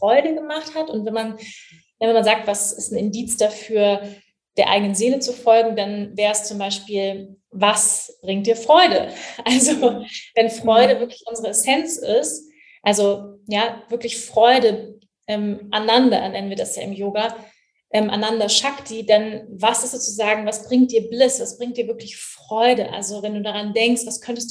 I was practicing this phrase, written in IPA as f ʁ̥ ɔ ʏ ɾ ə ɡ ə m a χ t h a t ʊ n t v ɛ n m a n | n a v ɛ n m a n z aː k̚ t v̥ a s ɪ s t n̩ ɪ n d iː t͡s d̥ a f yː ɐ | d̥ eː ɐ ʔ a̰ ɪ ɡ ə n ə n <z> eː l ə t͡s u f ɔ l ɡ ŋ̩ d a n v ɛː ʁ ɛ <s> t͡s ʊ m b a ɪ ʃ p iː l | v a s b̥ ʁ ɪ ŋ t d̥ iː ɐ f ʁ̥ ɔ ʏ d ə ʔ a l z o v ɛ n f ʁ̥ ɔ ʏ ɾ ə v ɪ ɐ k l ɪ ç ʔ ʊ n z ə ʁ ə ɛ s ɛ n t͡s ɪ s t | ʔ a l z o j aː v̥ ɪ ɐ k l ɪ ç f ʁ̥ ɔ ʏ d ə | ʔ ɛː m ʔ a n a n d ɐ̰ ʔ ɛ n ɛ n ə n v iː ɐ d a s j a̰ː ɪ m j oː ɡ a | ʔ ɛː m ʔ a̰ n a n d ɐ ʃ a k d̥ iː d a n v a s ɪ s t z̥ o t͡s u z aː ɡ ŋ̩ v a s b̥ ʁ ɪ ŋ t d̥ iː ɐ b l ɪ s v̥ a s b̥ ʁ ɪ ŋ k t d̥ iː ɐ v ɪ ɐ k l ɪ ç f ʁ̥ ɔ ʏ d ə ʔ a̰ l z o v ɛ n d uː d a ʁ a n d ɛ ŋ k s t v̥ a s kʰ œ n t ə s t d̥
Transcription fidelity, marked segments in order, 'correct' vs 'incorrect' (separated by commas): correct, correct